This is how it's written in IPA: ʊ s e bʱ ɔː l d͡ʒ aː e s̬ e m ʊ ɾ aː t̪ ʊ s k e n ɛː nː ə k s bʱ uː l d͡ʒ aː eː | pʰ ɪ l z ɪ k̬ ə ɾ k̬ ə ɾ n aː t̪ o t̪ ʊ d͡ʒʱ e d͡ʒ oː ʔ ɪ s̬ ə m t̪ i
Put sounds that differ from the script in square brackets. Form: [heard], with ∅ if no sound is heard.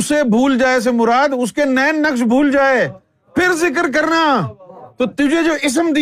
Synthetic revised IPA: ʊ s e bʱ [uː] l d͡ʒ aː e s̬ e m ʊ ɾ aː [d̪] ʊ s k e n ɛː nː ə k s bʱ uː l d͡ʒ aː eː | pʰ ɪ [ɾ] z ɪ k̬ ə ɾ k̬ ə ɾ n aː t̪ o t̪ ʊ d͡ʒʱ e d͡ʒ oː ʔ ɪ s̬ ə m [d̪] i